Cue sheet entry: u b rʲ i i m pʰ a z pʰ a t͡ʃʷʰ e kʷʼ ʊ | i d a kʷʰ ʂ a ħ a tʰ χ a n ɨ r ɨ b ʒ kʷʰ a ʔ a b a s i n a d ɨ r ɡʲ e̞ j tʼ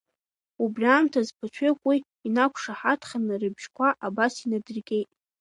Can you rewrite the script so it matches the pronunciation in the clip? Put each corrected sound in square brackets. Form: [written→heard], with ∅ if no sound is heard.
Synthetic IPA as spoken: u b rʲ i [i→a] m [pʰ→tʰ] a z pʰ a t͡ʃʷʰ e kʷʼ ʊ | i [d→n] a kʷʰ ʂ a ħ a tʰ χ a n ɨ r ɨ b ʒ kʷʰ a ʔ a b a s i n a d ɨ r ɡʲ e̞ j tʼ